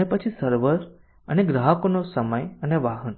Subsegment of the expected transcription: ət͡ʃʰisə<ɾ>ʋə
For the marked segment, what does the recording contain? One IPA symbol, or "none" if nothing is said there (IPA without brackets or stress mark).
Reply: ɾ